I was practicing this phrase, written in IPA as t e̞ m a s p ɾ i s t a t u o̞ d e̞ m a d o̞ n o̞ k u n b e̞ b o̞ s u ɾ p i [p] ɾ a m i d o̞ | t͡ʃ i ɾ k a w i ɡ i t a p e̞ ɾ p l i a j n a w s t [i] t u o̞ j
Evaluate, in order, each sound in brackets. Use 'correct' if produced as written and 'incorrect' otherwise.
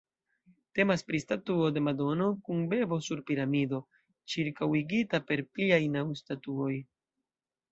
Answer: incorrect: none, incorrect: a

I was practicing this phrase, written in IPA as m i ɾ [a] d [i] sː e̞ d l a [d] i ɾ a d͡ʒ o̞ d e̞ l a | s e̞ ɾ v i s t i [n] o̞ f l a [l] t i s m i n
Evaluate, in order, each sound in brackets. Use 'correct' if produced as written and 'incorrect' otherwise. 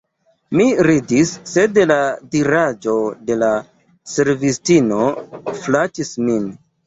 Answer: incorrect: i, correct, correct, correct, incorrect: none

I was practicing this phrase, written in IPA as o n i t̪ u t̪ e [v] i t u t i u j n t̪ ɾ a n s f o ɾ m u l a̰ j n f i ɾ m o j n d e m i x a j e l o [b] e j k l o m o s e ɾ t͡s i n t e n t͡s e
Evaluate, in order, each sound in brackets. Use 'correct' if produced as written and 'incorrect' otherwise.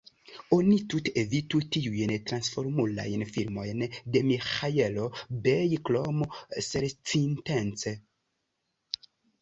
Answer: correct, correct

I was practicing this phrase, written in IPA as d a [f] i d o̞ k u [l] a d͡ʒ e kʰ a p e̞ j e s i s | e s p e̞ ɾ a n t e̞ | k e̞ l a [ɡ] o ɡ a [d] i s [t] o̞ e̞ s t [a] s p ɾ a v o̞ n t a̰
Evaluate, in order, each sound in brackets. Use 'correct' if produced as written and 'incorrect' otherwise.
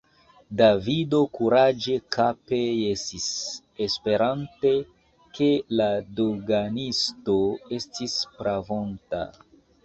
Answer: incorrect: v, incorrect: ɾ, incorrect: d, incorrect: n, correct, incorrect: i

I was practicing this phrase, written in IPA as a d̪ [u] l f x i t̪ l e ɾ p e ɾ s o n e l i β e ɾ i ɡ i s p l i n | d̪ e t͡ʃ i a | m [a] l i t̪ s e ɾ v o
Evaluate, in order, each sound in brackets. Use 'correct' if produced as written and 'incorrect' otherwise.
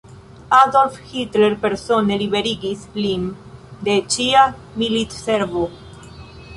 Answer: incorrect: o, incorrect: i

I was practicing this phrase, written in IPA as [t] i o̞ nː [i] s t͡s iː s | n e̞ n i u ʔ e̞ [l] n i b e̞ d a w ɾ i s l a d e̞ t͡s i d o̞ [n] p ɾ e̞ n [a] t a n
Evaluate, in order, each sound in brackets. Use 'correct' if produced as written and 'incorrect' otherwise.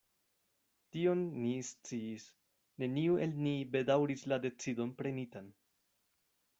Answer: correct, correct, correct, correct, incorrect: i

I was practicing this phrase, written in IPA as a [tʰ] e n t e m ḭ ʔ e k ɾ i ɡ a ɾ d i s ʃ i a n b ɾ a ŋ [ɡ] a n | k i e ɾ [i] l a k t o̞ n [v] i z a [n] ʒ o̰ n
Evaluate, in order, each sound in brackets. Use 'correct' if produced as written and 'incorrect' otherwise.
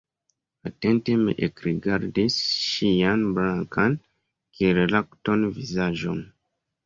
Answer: incorrect: t, incorrect: k, incorrect: e, correct, incorrect: none

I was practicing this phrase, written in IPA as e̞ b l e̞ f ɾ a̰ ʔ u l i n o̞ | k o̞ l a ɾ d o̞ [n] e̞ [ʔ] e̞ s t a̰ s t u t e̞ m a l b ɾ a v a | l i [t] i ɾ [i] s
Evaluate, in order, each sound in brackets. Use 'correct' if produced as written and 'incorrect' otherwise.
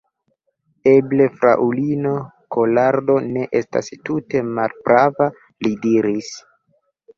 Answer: correct, correct, incorrect: d, correct

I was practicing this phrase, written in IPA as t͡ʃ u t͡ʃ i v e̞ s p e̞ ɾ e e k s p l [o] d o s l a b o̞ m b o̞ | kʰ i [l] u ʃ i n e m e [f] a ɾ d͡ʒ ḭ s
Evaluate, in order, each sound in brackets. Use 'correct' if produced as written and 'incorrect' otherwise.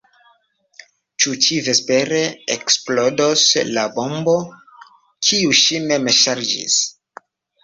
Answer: correct, incorrect: none, incorrect: ʃ

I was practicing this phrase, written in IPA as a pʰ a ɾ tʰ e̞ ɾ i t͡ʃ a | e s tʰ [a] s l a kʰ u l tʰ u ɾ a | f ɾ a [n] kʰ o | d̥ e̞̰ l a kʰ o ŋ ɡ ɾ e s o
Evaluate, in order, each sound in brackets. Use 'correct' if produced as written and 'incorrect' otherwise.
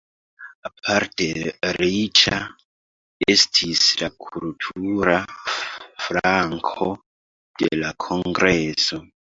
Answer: incorrect: i, incorrect: ŋ

